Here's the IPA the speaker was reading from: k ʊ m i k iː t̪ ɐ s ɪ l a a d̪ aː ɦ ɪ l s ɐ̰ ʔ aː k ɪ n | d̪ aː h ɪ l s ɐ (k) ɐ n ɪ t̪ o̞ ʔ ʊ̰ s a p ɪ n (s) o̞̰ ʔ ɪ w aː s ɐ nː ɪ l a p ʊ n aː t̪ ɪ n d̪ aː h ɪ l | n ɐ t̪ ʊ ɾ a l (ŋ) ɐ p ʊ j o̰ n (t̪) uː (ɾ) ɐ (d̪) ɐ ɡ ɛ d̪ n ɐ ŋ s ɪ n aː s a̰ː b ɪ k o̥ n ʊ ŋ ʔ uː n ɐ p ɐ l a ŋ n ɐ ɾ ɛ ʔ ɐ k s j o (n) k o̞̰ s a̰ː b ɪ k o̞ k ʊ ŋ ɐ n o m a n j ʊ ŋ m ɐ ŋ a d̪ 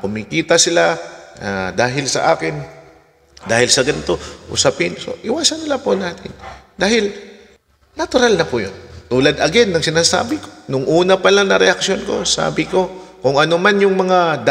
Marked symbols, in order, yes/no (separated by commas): no, yes, no, yes, no, yes, yes